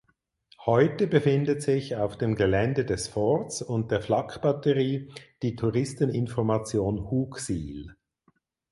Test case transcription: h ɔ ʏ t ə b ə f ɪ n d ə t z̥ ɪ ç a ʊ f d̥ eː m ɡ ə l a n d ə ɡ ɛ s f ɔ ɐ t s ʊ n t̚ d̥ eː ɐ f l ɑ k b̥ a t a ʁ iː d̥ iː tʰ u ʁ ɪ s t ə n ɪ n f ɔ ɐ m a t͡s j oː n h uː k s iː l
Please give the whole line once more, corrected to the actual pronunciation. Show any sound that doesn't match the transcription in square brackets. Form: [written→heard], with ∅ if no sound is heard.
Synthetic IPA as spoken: h ɔ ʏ t ə b ə f ɪ n d ə t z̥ ɪ ç a ʊ f d̥ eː m ɡ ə l [a→ɛ] n d ə [ɡ→d] ɛ s f ɔ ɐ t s ʊ n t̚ d̥ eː ɐ f l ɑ k b̥ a t [a→ə] ʁ iː d̥ iː tʰ u ʁ ɪ s t ə n ɪ n f ɔ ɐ m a t͡s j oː n h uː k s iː l

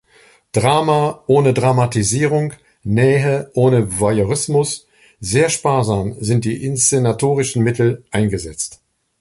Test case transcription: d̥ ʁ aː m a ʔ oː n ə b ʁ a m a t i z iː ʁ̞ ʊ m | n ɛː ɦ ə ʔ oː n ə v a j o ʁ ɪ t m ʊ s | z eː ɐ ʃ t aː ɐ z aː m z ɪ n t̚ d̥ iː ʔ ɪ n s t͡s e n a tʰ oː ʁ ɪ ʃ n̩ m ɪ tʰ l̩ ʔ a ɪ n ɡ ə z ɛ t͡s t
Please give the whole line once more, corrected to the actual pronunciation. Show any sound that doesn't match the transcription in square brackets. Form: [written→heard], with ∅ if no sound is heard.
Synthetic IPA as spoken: d̥ ʁ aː m a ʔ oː n ə [b→d] ʁ a m a t i z iː ʁ̞ ʊ [m→ŋ] | n ɛː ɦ ə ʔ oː n ə v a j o ʁ ɪ [t→s] m ʊ s | z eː ɐ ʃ [t→p] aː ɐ z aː m z ɪ n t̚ d̥ iː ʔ ɪ n s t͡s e n a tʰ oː ʁ ɪ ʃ n̩ m ɪ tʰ l̩ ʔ a ɪ n ɡ ə z ɛ t͡s t

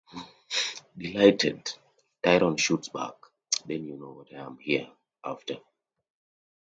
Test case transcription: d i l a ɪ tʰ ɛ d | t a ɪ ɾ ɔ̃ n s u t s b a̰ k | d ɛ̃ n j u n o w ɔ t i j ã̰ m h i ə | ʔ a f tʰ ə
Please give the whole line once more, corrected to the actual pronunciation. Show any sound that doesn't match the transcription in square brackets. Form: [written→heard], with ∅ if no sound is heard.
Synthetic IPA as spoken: d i l a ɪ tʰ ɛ d | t a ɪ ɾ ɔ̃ n [s→ʃ] u t s b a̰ k | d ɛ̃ n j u n o w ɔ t [i→a] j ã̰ m h i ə | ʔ a f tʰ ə

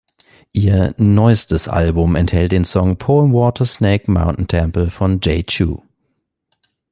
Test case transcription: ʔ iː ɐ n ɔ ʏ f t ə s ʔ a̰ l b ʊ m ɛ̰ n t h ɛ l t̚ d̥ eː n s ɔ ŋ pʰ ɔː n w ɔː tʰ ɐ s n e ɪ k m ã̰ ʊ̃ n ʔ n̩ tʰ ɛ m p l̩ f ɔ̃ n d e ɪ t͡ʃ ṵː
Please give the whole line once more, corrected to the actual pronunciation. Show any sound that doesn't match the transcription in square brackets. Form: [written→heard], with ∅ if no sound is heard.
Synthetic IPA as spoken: ʔ iː ɐ n ɔ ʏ [f→s] t ə s ʔ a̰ l b ʊ m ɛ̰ n t h ɛ l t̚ d̥ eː n s ɔ ŋ pʰ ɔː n w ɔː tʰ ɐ s n e ɪ k m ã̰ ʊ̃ n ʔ n̩ tʰ ɛ m p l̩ f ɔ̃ n [d→d͡ʒ] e ɪ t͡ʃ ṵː

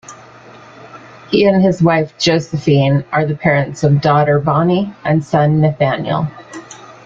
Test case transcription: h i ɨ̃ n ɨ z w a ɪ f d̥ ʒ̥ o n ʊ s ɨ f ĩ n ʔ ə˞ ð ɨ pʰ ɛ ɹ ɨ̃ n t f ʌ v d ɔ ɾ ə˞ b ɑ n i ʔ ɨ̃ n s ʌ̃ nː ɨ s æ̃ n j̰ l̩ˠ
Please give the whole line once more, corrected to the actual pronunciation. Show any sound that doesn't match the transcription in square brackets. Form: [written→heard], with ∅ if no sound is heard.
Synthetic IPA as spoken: h i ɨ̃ n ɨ z w a ɪ f d̥ ʒ̥ o [n→∅] ʊ s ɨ f ĩ n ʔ ə˞ ð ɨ pʰ ɛ ɹ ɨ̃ n t [f→s] ʌ v d ɔ ɾ ə˞ b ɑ n i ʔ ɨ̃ n s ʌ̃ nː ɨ [s→θ] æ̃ n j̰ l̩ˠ

